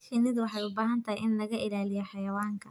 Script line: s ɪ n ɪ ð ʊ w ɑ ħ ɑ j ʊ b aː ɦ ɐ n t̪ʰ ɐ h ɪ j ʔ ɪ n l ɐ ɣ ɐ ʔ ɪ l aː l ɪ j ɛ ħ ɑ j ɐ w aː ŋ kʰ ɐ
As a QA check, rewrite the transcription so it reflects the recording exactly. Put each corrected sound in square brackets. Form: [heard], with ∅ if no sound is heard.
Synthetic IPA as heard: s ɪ n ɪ ð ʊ w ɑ ħ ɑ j ʊ b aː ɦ ɐ n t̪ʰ ɐ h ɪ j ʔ ɪ n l ɐ ɣ ɐ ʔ ɪ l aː l ɪ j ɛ ħ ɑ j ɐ w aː ŋ kʰ ɐ